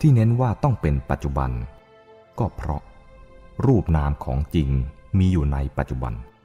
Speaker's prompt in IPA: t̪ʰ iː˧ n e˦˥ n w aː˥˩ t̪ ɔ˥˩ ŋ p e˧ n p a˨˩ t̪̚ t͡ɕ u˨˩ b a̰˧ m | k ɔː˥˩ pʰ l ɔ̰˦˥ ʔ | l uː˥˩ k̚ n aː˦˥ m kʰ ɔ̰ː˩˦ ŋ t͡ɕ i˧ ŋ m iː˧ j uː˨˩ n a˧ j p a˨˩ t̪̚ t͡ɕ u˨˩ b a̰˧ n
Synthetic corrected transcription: t̪ʰ iː˥˩ n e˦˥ n w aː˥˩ t̪ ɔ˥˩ ŋ p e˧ n p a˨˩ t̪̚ t͡ɕ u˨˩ b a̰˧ n | k ɔː˥˩ pʰ ɾ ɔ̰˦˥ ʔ | ɾ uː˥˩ p̚ n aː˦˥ m kʰ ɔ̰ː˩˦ ŋ t͡ɕ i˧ ŋ m iː˧ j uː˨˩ n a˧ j p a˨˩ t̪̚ t͡ɕ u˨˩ b a̰˧ n